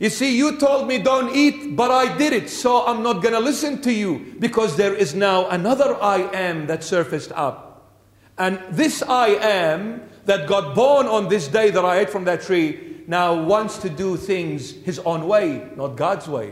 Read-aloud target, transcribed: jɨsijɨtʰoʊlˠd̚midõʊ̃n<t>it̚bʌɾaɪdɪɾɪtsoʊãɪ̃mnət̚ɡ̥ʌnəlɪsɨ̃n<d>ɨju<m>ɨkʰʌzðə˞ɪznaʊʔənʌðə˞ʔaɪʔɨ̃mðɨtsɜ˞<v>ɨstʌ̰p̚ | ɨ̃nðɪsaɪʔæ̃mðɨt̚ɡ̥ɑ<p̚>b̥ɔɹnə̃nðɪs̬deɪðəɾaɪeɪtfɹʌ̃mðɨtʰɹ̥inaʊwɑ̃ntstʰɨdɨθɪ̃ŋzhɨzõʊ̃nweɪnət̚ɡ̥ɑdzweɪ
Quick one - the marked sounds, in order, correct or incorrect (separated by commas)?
correct, incorrect, incorrect, incorrect, incorrect